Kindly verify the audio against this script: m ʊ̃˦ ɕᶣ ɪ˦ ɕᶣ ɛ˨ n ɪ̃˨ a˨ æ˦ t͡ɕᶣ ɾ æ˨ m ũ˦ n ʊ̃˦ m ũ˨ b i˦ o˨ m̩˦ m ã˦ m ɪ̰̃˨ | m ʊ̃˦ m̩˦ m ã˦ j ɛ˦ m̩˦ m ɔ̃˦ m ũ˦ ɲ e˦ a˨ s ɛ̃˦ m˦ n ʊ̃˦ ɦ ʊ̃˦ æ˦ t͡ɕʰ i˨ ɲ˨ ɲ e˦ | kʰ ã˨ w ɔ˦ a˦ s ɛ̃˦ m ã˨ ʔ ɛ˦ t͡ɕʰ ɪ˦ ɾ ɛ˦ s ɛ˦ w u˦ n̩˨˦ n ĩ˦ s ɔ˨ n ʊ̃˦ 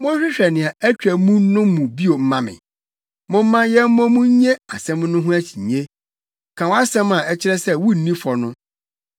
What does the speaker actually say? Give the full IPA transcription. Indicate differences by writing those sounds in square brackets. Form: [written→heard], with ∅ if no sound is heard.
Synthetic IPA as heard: m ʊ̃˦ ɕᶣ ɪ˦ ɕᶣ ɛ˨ n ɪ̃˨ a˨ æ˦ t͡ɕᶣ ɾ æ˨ m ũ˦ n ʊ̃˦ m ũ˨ b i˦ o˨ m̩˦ m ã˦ m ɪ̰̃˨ | m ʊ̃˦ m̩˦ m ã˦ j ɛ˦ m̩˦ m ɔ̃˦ m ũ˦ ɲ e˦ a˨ s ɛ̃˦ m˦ n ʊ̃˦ ɦ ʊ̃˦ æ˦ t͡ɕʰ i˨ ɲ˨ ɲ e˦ | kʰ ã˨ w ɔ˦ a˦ s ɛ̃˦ m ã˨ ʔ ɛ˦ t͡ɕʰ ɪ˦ ɾ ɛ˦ s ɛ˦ w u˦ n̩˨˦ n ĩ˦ [s→f] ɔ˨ n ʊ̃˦

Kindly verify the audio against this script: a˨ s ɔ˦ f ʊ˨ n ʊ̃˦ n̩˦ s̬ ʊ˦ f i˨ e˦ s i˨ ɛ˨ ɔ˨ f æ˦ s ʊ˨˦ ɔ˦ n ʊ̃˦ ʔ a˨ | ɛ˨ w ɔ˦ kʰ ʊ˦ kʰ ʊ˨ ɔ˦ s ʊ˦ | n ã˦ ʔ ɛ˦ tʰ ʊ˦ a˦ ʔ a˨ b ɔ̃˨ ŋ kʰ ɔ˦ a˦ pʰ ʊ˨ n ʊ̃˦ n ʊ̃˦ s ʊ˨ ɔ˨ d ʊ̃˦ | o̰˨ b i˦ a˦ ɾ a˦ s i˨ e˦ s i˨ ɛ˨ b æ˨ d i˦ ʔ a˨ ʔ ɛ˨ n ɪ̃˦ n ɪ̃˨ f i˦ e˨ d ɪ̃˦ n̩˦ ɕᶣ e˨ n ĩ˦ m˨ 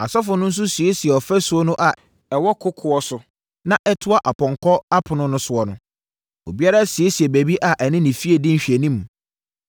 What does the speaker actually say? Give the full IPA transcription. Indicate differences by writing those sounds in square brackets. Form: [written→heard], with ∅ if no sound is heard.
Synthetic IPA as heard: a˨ s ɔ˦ f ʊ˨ n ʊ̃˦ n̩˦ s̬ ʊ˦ [f→s] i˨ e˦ s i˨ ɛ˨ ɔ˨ f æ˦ s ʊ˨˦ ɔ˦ n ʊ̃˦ ʔ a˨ | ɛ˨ w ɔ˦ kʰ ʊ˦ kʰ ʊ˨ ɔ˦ s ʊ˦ | n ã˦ ʔ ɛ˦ tʰ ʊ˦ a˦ ʔ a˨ [b→p] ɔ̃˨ ŋ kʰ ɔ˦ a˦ pʰ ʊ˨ n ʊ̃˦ n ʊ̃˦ s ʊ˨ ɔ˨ [d→n] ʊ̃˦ | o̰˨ b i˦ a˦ ɾ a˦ s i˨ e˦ s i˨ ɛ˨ b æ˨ [d→b] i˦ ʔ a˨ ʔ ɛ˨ n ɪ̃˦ n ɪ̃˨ f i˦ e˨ d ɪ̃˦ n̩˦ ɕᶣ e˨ n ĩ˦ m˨

